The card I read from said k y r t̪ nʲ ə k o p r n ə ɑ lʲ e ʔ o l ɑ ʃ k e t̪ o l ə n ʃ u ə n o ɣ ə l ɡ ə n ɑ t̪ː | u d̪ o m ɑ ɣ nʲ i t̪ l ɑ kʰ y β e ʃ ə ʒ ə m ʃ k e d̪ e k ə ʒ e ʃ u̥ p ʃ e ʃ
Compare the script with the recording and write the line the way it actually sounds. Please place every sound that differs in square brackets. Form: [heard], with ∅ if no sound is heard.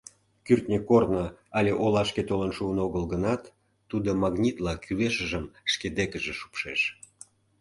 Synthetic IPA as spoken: k y r t̪ nʲ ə k o [∅] r n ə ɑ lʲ e ʔ o l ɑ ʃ k e t̪ o l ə n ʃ u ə n o ɣ ə l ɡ ə n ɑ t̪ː | u d̪ o m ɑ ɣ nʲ i t̪ l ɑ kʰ y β e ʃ ə ʒ ə m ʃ k e d̪ e k ə ʒ e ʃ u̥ p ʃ e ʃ